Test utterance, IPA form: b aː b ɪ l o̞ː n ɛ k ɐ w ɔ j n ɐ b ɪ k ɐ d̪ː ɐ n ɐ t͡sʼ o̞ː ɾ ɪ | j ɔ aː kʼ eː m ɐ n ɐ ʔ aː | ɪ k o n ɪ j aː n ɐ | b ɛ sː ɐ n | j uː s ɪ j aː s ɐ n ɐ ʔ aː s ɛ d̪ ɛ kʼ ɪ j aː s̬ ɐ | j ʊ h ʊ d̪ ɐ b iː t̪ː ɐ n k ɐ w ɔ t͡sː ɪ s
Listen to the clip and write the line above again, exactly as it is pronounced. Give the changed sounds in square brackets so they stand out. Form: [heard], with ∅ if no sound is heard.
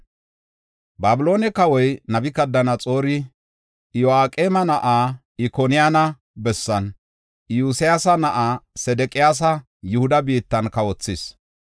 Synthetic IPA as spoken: b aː b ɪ l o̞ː n ɛ k ɐ w ɔ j n ɐ b ɪ k ɐ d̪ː ɐ n ɐ t͡sʼ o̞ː ɾ ɪ | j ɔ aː kʼ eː m ɐ n ɐ ʔ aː | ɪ k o n ɪ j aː n ɐ | b ɛ sː ɐ n | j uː s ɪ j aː s ɐ n ɐ ʔ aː s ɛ d̪ ɛ kʼ ɪ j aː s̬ ɐ | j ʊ h ʊ d̪ ɐ b iː t̪ː ɐ n k ɐ w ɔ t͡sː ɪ s